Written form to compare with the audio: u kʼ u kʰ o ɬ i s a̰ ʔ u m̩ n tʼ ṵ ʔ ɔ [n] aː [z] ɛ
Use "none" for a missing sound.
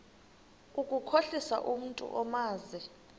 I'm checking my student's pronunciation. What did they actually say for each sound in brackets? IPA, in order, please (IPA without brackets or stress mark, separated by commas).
m, z